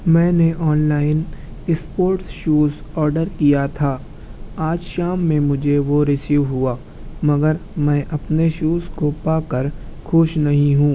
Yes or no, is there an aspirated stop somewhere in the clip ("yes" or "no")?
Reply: yes